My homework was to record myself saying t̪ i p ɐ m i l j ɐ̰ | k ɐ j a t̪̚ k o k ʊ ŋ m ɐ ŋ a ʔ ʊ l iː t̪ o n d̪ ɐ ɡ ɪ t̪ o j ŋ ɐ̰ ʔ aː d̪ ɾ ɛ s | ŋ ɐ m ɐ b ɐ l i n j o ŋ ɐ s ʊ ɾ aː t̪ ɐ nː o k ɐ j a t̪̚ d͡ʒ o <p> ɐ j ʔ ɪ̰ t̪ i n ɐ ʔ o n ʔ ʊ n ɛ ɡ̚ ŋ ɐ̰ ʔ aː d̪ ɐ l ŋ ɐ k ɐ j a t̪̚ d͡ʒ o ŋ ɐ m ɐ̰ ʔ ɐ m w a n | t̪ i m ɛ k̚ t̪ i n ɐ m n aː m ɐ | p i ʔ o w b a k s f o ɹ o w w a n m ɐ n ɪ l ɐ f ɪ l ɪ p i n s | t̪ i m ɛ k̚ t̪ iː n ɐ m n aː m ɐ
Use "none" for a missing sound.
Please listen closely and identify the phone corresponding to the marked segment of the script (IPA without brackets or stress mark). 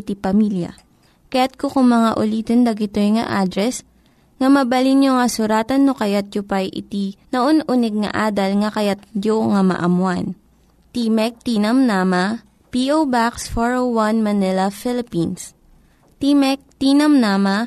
p